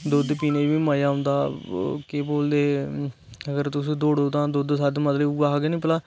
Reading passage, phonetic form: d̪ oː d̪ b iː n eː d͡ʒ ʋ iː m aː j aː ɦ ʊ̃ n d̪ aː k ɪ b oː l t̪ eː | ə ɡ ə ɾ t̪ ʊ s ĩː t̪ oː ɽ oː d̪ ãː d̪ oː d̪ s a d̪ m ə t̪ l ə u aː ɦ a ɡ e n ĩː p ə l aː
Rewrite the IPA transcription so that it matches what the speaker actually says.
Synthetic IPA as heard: d̪ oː d̪ p iː n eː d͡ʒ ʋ iː m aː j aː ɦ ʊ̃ n d̪ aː k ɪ b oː l d̪ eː | ə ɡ ə ɾ t̪ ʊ s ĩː d̪ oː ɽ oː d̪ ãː d̪ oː d̪ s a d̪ m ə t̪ l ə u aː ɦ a ɡ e n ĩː p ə l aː